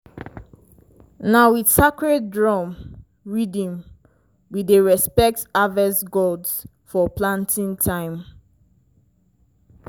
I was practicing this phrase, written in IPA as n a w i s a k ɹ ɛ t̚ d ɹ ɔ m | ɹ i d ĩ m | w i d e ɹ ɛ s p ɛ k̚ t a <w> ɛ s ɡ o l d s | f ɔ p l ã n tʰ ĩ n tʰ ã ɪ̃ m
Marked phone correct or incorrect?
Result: incorrect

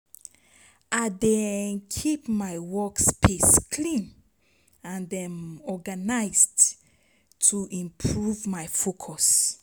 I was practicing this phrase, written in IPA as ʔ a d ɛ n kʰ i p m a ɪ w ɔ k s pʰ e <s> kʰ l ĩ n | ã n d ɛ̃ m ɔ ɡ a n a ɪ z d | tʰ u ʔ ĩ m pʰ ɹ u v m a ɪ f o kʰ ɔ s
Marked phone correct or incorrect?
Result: correct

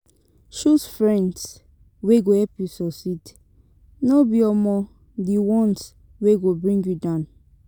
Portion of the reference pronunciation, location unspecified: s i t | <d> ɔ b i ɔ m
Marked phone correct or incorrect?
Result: incorrect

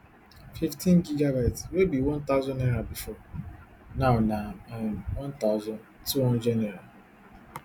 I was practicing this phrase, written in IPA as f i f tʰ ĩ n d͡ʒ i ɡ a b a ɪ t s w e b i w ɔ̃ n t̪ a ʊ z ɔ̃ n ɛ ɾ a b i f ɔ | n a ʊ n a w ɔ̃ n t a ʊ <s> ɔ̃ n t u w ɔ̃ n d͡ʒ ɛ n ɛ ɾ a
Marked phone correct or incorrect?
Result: incorrect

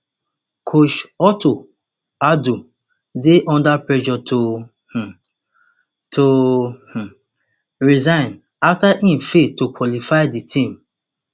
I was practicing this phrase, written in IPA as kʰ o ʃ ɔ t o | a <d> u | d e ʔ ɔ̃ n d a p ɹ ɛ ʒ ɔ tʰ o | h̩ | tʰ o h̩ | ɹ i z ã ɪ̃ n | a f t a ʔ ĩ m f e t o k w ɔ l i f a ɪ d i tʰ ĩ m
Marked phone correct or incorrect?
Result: correct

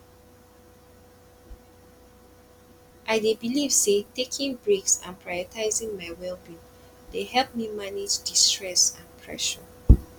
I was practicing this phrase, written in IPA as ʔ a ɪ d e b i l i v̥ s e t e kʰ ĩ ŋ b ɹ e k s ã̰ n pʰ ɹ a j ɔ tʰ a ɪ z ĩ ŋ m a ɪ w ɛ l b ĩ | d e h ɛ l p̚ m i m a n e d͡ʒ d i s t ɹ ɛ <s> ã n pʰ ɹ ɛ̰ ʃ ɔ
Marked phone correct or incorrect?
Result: correct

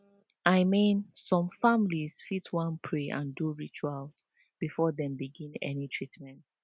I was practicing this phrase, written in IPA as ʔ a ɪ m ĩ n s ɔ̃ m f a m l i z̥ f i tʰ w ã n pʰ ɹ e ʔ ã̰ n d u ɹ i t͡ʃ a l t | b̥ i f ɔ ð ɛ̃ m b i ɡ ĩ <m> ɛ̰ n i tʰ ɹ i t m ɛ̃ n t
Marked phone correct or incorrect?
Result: incorrect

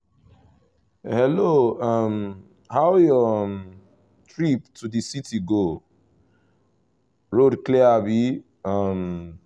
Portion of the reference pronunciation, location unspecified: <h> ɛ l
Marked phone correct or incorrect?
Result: correct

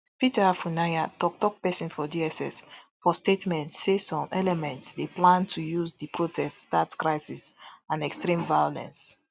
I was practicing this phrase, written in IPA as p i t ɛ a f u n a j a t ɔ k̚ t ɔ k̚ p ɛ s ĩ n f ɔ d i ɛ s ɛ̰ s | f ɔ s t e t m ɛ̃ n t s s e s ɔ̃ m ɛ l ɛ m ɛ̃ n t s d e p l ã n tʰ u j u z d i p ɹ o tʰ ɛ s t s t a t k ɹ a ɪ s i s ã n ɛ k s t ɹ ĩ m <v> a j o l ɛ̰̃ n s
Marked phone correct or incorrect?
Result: correct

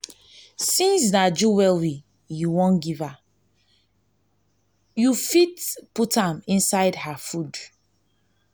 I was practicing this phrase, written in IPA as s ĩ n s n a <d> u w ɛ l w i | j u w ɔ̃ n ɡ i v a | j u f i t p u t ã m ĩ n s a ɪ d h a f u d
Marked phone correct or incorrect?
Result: incorrect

